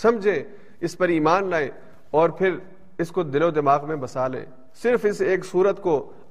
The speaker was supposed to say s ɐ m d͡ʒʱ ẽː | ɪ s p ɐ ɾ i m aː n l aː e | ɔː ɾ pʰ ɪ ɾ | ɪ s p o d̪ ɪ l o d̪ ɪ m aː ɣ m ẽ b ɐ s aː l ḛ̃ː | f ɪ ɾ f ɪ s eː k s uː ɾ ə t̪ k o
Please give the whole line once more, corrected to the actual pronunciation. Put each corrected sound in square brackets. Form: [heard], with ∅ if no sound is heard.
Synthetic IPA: s ɐ m d͡ʒʱ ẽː | ɪ s p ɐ ɾ [iː] m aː n l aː e | ɔː ɾ pʰ ɪ ɾ | ɪ s [k] o d̪ ɪ l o d̪ ɪ m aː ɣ m ẽ b ɐ s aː l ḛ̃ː | [s] ɪ ɾ f ɪ s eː k s uː ɾ ə t̪ k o